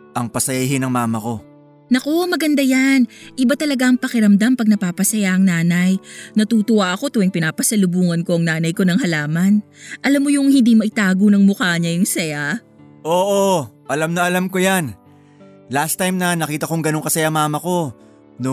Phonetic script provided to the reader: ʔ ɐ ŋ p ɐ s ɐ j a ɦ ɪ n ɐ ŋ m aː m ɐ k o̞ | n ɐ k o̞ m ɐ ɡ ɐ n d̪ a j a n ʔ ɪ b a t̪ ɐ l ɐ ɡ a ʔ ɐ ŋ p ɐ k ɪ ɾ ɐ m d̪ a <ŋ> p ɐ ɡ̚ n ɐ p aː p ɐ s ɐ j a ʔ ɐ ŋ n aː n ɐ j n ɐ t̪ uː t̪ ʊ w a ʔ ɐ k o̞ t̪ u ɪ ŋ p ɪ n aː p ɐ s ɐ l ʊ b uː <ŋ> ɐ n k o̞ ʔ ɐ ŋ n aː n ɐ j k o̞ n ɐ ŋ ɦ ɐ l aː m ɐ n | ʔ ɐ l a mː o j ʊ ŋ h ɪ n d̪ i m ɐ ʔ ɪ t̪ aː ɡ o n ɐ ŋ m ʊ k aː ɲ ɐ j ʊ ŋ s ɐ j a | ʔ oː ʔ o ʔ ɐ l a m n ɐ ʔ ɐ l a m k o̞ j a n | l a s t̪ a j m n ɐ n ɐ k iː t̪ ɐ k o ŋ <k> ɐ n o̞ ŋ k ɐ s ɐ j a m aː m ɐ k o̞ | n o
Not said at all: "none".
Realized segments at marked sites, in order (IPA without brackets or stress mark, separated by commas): m, ŋ, ɡ